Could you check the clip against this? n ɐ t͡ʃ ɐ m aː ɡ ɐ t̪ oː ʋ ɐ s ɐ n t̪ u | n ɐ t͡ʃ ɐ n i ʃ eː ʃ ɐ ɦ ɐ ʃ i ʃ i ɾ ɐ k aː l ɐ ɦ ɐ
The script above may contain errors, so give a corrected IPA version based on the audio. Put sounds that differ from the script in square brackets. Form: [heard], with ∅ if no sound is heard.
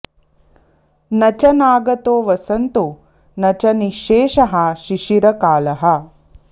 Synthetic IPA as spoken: n ɐ t͡ʃ ɐ [n] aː ɡ ɐ t̪ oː ʋ ɐ s ɐ n t̪ u | n ɐ t͡ʃ ɐ n i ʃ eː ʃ ɐ ɦ ɐ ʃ i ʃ i ɾ ɐ k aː l ɐ ɦ ɐ